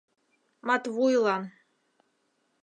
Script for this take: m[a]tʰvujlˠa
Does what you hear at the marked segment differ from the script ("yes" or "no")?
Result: no